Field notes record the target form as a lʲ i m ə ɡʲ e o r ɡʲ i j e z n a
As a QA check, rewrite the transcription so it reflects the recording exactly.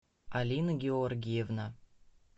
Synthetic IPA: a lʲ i n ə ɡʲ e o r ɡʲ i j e v n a